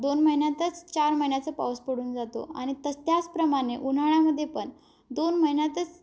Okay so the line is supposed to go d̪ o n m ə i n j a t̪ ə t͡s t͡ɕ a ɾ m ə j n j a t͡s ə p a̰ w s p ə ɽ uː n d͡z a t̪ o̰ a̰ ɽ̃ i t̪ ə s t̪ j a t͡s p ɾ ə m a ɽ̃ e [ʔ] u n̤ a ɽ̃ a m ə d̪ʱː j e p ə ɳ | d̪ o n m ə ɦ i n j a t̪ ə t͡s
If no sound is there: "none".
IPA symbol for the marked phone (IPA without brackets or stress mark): ʔ